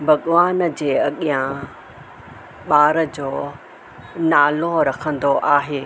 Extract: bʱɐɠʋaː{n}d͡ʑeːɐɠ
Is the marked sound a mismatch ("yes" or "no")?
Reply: no